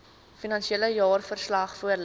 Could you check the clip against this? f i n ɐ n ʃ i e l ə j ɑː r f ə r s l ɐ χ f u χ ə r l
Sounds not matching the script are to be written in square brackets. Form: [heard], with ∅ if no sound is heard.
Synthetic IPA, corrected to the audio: f i n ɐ n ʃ i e l ə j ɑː r f ə r s l ɐ χ f u [∅] ə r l